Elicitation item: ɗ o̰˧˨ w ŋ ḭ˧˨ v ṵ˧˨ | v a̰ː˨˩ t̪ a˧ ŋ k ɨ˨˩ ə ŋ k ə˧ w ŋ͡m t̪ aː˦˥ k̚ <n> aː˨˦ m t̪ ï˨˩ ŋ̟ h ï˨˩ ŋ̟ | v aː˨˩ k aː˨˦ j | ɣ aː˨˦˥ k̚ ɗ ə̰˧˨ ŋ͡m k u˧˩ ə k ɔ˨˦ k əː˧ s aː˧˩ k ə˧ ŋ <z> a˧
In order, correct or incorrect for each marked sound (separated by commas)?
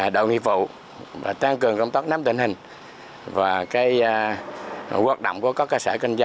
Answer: correct, correct